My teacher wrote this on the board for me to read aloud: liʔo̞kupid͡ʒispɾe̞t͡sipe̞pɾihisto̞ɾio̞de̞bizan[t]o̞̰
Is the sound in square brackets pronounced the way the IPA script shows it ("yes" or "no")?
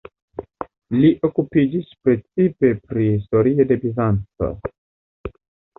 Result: no